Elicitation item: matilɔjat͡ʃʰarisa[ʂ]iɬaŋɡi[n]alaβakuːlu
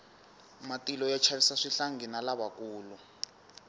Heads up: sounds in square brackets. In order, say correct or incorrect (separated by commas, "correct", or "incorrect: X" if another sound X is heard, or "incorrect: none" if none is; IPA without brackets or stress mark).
correct, correct